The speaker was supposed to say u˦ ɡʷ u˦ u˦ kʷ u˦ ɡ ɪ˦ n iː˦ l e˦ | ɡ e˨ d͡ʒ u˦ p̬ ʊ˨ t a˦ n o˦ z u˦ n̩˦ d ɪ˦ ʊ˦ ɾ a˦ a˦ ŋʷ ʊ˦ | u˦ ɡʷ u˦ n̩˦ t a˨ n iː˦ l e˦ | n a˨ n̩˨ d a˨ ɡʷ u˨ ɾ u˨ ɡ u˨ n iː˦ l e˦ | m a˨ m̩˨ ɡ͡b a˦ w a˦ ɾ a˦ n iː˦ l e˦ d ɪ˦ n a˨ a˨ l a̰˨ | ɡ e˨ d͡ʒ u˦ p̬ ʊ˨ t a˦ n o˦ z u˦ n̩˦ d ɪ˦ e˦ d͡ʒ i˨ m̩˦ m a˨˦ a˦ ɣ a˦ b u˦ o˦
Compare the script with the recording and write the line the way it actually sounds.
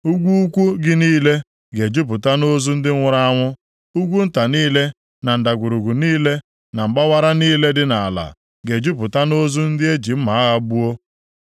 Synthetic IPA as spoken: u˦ ɡʷ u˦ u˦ kʷ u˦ ɡ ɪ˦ n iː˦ l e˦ | ɡ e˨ d͡ʒ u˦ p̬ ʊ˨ t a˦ n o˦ z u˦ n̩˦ d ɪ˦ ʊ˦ ɾ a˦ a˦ ŋʷ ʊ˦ | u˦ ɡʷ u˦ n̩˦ t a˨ n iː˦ l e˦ | n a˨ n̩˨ d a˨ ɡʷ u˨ ɾ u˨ ɡ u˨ n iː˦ l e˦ | n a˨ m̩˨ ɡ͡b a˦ w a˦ ɾ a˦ n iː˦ l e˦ d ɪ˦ n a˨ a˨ l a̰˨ | ɡ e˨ d͡ʒ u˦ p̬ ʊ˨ t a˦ n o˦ z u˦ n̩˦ d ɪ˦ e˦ d͡ʒ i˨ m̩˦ m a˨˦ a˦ ɣ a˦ b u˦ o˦